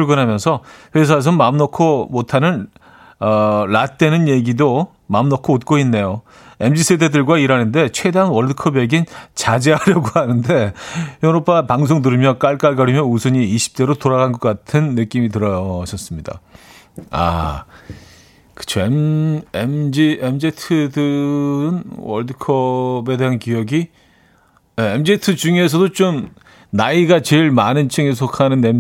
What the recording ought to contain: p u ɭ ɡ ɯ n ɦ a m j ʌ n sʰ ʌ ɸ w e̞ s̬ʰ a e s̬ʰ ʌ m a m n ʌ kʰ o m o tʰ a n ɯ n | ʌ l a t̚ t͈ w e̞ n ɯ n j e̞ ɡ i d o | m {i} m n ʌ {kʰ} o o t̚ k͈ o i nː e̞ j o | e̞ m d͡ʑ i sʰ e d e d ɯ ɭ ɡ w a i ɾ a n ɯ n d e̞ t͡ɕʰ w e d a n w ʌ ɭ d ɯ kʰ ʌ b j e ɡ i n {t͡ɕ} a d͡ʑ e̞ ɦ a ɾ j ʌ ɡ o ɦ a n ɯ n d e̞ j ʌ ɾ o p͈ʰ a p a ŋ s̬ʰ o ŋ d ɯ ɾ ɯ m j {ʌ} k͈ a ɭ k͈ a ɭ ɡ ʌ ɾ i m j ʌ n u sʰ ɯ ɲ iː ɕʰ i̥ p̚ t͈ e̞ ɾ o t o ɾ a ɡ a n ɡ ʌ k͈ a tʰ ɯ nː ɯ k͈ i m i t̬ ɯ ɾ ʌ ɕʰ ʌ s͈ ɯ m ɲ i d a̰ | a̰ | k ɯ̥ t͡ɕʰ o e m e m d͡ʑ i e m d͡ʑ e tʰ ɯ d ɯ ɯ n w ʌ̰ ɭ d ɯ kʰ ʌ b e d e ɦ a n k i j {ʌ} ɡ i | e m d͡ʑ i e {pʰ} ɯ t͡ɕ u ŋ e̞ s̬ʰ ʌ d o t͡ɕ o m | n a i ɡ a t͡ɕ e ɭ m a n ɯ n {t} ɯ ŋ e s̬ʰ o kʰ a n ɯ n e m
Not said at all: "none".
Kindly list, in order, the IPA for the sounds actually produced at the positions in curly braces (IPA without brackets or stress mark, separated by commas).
a, kʰ, t͡ɕ, ʌ, ʌ, tʰ, t͡ɕʰ